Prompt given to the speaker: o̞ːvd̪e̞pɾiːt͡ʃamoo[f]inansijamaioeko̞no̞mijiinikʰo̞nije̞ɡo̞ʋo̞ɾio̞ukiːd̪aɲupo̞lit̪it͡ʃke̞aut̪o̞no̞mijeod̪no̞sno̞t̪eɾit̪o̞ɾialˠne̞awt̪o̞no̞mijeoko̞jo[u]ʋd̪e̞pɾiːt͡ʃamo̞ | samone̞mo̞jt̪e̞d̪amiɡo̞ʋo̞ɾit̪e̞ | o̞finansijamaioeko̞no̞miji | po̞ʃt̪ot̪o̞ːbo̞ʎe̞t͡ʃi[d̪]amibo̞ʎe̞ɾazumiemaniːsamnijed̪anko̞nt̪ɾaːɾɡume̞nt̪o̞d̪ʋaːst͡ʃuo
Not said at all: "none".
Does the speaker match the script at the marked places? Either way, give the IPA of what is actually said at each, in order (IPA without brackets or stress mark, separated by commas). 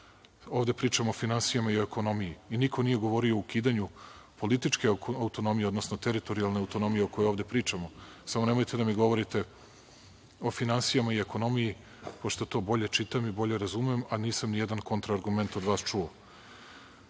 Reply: f, o, t̪